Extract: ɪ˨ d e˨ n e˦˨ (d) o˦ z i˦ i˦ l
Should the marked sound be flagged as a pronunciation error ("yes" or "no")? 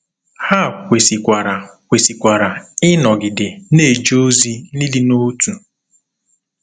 yes